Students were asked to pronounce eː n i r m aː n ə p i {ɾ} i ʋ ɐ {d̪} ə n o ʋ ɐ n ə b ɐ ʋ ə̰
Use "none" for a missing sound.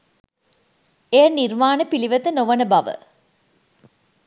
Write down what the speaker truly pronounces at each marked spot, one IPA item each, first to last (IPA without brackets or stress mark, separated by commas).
l, t̪